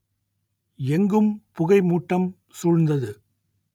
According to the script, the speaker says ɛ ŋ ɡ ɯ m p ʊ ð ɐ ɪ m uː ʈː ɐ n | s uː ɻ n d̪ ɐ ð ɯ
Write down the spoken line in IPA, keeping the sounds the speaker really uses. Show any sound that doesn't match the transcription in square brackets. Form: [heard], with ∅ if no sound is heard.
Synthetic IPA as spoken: ɛ ŋ ɡ ɯ m p ʊ [ɣ] ɐ ɪ m uː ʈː ɐ [m] | s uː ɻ n d̪ ɐ ð ɯ